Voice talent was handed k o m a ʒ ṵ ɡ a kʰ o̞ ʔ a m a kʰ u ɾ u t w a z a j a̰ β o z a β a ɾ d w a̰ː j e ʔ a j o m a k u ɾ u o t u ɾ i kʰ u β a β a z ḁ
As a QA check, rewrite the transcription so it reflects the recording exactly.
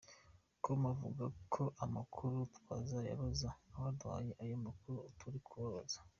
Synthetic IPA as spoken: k o m a v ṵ ɡ a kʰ o̞ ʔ a m a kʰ u ɾ u t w a z a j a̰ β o z a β a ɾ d w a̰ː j e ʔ a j o m a k u ɾ u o t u ɾ i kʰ u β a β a z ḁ